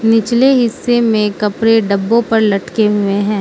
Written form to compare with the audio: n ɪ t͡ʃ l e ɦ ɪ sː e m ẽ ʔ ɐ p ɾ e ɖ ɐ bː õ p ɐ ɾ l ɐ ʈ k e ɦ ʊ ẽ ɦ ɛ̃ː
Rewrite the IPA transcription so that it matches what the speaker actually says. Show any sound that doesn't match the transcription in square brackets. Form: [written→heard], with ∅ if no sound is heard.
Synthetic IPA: n ɪ t͡ʃ l e ɦ ɪ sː e m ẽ [ʔ→k] ɐ p ɾ e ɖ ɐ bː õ p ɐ ɾ l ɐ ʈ k e ɦ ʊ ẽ ɦ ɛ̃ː

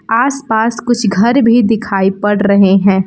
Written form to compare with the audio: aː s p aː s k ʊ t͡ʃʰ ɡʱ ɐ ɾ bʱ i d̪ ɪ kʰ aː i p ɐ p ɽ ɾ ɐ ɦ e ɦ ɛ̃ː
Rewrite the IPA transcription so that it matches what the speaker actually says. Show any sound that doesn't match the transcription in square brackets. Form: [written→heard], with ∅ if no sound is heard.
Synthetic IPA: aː s p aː s k ʊ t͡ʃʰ ɡʱ ɐ ɾ bʱ i d̪ ɪ kʰ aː i p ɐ [p→∅] ɽ ɾ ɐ ɦ e ɦ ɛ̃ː

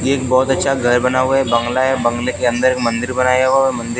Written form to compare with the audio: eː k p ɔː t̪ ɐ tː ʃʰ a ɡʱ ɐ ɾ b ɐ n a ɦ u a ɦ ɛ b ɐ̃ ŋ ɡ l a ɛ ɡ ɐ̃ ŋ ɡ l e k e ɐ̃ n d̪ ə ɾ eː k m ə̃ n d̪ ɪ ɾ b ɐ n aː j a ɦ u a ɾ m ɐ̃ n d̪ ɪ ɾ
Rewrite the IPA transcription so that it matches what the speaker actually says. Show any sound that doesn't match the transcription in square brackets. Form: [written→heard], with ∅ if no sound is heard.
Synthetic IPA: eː k [p→b] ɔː t̪ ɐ tː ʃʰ a ɡʱ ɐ ɾ b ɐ n a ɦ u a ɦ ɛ b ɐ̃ ŋ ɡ l a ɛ [ɡ→b] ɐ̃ ŋ ɡ l e k e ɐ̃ n d̪ ə ɾ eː k m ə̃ n d̪ ɪ ɾ b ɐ n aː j a ɦ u a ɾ m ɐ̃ n d̪ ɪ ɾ

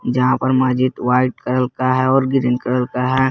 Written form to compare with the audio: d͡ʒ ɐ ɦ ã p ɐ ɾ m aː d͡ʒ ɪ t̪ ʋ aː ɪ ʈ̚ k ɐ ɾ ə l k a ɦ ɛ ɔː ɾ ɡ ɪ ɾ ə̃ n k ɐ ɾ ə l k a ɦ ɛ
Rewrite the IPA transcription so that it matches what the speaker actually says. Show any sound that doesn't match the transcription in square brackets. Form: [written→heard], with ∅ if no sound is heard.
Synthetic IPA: d͡ʒ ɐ ɦ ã p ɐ ɾ m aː d͡ʒ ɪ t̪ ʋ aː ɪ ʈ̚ k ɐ ɾ ə l k a ɦ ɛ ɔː ɾ ɡ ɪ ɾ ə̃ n k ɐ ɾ ə l k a ɦ ɛ

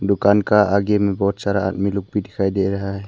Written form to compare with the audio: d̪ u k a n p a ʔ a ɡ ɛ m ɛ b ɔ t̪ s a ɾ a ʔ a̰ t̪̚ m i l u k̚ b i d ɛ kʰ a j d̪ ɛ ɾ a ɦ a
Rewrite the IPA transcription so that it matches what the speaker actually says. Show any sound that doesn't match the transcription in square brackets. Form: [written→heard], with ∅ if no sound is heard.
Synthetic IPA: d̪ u k a n [p→k] a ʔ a ɡ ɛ m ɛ b ɔ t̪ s a ɾ a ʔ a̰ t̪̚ m i l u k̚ b i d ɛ kʰ a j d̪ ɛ ɾ a ɦ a

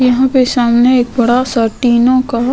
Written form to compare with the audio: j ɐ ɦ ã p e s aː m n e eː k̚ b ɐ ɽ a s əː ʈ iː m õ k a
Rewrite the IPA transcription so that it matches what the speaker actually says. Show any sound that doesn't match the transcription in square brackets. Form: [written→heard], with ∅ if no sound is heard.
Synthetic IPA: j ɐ ɦ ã p e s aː m n e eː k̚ b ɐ ɽ a s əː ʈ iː [m→n] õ k a

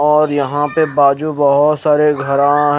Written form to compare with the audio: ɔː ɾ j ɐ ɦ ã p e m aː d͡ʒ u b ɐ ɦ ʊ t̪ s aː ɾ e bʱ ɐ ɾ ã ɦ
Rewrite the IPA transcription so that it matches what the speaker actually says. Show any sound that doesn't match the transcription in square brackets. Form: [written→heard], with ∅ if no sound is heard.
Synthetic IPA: ɔː ɾ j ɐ ɦ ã p e [m→b] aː d͡ʒ u b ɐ ɦ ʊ t̪ s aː ɾ e [bʱ→ɡʱ] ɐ ɾ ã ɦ

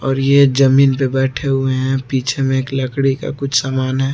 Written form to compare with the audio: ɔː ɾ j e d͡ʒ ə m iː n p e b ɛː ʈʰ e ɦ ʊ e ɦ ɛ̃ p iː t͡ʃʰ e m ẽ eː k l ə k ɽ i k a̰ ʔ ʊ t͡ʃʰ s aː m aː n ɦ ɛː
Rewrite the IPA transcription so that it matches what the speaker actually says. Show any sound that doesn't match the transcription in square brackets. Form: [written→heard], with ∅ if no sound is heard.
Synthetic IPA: ɔː ɾ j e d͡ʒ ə m iː n p e b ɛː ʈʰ e ɦ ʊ e ɦ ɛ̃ p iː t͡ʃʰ e m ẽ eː k l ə k ɽ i k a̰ [ʔ→k] ʊ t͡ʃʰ s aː m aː n ɦ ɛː

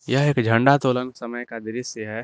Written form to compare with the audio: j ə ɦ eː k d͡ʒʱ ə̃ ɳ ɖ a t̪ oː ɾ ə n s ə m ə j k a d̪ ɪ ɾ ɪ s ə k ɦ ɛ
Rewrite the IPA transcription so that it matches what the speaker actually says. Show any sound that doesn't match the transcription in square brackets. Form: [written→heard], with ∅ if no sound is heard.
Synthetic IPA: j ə ɦ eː k d͡ʒʱ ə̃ ɳ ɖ a t̪ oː [ɾ→l] ə n s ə m ə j k a d̪ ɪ ɾ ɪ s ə [k→∅] ɦ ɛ

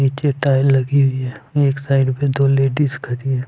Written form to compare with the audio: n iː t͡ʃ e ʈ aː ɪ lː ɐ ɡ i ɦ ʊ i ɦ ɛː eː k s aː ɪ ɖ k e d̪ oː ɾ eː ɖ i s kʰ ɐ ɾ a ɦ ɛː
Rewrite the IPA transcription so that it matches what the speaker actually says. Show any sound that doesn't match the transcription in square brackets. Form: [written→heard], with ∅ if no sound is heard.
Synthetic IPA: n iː t͡ʃ e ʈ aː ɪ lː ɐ ɡ i ɦ ʊ i ɦ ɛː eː k s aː ɪ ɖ [k→p] e d̪ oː [ɾ→l] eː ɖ i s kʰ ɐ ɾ [a→i] ɦ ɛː

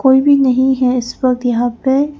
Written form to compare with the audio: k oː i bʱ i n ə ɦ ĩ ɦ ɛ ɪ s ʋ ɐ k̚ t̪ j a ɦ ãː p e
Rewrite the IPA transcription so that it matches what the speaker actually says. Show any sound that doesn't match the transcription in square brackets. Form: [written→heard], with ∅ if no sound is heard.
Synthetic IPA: k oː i bʱ i n [ə→ɐ] ɦ ĩ ɦ ɛ ɪ s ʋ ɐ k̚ t̪ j [a→ɐ] ɦ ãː p e

